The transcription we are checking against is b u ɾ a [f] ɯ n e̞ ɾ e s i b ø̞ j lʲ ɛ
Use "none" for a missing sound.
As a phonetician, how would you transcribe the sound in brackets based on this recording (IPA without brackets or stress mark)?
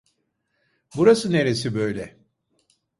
s